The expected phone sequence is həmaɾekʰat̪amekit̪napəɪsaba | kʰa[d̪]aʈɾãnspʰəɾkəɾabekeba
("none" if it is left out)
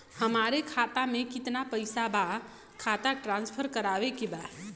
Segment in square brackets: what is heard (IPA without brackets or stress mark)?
t̪